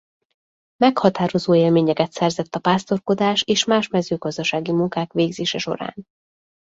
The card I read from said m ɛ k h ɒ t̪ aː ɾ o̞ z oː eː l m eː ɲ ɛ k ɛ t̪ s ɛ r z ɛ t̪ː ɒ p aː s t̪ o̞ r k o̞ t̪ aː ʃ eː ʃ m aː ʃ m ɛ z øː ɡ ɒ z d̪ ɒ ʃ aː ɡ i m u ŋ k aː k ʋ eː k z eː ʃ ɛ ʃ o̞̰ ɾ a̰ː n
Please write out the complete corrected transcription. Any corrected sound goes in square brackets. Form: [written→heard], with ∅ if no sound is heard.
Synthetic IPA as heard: m ɛ k h ɒ t̪ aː ɾ o̞ z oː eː l m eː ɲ ɛ k ɛ t̪ s ɛ r z ɛ t̪ː ɒ p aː s t̪ o̞ r k o̞ [t̪→d̪] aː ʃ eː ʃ m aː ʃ m ɛ z øː ɡ ɒ z d̪ ɒ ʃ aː ɡ i m u ŋ k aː k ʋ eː [k→ɡ] z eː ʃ ɛ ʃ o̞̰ ɾ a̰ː n